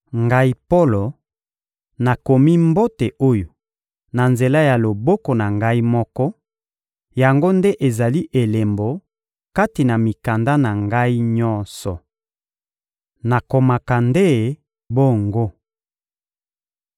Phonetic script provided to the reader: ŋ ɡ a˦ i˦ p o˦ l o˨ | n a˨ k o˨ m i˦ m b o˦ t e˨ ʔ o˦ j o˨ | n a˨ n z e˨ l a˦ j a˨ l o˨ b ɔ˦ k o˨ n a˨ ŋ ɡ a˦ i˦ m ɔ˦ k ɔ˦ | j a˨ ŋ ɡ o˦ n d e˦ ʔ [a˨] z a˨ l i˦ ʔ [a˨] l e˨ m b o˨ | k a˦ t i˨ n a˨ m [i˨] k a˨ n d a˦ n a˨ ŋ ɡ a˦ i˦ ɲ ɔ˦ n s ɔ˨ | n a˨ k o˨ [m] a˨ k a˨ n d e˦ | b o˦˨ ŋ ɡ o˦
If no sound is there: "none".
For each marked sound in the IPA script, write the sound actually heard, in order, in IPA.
e˨, e˨, i˨, m

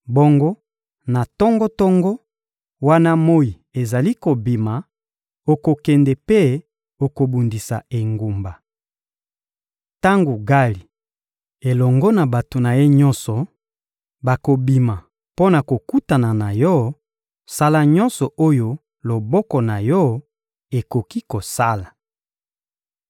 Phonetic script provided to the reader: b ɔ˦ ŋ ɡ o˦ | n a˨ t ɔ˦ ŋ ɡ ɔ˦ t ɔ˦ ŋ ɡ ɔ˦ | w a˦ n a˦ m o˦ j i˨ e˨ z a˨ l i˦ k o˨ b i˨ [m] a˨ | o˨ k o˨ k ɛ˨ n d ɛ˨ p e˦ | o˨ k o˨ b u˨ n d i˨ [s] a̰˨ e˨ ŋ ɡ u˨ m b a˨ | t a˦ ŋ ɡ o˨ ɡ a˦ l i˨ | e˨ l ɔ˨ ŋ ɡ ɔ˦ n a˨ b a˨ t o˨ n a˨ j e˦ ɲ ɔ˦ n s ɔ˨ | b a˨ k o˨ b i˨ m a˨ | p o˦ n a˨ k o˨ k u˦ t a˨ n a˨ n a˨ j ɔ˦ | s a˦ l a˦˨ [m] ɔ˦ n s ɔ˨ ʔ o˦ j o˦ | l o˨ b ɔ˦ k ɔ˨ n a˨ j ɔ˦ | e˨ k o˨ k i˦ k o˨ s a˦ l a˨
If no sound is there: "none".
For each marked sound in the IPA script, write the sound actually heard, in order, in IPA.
m, s, ɲ

